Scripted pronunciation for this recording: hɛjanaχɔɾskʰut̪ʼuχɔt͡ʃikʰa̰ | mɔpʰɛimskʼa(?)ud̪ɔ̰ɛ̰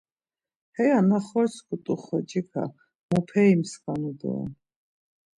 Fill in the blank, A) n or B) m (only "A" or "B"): A